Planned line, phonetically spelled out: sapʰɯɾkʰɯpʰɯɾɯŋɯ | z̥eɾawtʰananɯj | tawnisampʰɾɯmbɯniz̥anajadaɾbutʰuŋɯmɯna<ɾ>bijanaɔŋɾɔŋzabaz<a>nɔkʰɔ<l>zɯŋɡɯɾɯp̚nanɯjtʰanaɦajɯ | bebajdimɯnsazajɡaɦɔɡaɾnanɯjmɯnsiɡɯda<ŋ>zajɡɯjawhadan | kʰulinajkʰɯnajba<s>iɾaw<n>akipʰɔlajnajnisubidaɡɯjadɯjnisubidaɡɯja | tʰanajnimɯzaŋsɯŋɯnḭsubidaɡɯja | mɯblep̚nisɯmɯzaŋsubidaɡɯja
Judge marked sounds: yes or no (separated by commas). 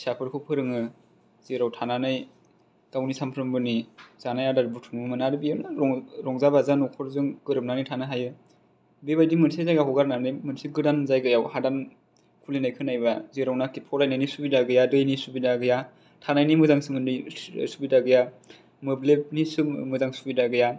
yes, yes, no, no, no, yes